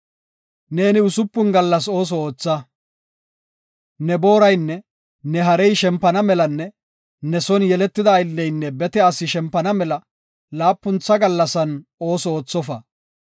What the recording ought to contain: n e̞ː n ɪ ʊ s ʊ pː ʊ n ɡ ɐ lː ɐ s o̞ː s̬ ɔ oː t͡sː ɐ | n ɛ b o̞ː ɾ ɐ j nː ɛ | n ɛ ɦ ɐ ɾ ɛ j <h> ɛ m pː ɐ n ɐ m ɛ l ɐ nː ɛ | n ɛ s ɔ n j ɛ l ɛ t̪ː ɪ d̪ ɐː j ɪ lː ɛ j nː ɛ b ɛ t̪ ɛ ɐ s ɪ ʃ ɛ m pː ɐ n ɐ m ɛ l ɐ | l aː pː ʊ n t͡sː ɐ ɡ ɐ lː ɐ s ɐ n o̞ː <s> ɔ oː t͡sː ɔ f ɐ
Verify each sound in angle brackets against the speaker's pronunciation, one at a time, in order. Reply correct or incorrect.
incorrect: ʃ, correct

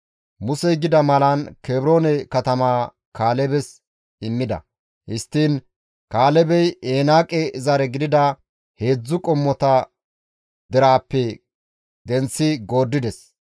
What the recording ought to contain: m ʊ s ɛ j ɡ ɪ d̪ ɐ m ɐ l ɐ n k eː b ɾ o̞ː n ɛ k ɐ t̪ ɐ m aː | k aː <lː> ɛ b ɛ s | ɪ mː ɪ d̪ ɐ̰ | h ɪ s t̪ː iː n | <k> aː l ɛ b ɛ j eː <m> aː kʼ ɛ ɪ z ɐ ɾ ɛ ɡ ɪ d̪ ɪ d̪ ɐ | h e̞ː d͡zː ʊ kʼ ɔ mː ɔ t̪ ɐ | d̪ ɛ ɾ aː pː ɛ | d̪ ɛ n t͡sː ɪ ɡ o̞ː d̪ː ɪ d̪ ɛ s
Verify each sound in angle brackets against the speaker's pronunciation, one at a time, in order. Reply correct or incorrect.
incorrect: l, correct, incorrect: n

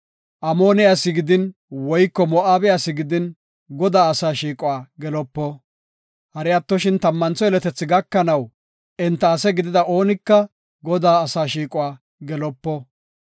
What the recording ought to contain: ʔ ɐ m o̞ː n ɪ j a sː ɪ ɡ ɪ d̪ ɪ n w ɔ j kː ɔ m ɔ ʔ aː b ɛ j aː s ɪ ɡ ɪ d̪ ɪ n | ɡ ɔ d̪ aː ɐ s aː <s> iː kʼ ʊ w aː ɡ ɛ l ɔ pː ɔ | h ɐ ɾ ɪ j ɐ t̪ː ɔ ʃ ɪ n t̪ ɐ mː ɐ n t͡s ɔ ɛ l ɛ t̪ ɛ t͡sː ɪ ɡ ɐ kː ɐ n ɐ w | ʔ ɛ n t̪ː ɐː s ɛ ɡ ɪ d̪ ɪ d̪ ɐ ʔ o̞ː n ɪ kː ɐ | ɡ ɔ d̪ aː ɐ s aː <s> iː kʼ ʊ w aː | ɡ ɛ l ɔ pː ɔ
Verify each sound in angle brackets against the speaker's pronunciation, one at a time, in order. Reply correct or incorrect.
incorrect: ʃ, incorrect: ʃ

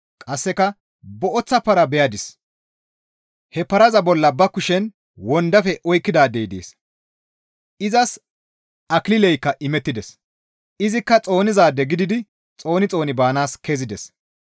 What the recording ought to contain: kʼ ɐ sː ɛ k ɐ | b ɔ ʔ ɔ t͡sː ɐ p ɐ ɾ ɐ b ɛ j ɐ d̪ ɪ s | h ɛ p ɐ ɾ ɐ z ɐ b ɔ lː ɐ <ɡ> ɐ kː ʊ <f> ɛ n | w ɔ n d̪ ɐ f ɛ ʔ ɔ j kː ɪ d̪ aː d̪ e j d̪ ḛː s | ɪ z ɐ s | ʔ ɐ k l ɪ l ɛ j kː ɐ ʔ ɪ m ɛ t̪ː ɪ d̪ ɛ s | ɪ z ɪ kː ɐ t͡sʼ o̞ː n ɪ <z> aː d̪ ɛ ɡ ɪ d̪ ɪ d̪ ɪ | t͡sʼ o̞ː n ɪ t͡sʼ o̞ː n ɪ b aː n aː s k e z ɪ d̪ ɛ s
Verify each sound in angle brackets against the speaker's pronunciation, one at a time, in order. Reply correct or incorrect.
incorrect: b, incorrect: ʃ, correct

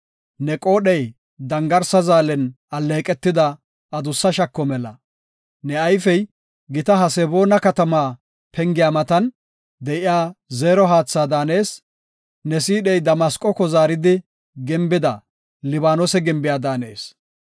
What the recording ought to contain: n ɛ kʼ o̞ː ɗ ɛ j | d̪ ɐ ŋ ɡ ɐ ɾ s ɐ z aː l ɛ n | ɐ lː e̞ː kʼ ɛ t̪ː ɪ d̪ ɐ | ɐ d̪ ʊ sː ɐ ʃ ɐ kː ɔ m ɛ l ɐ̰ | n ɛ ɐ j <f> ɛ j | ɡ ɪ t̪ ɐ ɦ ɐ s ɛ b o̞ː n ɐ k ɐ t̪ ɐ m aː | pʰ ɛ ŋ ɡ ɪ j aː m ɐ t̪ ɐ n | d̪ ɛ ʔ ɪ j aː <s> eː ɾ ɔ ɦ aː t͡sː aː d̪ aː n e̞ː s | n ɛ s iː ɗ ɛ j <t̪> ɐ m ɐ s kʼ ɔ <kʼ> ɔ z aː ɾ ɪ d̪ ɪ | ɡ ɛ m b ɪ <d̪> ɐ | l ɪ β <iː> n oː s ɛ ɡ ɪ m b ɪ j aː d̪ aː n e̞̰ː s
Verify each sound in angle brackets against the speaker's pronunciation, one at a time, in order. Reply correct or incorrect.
correct, incorrect: z, incorrect: d̪, incorrect: k, correct, incorrect: aː

